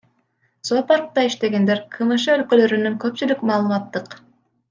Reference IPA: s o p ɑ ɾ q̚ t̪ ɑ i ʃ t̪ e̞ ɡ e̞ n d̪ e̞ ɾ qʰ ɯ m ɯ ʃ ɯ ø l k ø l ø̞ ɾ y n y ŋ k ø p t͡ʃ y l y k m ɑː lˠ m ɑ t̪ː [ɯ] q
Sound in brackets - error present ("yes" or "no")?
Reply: no